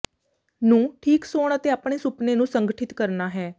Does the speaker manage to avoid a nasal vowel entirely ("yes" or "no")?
no